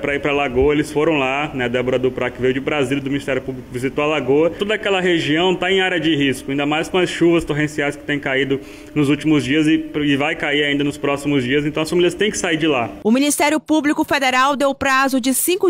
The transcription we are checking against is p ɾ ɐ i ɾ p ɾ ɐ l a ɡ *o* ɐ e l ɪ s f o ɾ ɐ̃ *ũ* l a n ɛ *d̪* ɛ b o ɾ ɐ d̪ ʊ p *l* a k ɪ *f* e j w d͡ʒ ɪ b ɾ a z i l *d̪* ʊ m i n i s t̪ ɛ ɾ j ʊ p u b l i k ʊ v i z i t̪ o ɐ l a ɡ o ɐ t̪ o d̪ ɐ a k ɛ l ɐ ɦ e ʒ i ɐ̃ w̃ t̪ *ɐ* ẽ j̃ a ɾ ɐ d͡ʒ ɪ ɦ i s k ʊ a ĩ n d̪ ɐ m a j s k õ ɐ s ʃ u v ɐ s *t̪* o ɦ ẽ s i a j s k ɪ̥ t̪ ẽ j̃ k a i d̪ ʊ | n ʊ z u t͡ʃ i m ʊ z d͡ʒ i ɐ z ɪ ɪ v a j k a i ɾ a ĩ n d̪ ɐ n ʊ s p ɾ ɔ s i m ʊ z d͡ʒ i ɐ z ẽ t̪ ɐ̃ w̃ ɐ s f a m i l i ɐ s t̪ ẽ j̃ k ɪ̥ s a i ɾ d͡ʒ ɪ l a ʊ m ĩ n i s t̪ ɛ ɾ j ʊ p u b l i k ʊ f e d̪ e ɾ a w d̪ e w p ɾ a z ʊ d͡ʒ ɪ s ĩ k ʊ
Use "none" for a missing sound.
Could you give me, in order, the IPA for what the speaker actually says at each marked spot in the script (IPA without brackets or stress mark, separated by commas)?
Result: o, w̃, d̪, ɾ, v, d̪, a, t̪